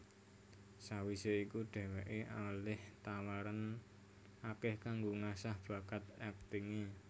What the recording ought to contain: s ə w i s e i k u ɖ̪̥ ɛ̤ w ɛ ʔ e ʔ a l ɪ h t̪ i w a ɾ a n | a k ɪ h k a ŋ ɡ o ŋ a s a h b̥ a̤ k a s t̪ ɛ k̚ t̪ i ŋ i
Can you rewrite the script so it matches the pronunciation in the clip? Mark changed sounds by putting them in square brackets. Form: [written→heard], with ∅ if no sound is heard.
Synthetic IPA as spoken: s [ə→a] w i s e i k u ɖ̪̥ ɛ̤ w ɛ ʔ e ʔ a l ɪ h t̪ [i→a] w a ɾ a n | a k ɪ h k a ŋ ɡ o ŋ a s a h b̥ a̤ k a [s→∅] t̪ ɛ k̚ t̪ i ŋ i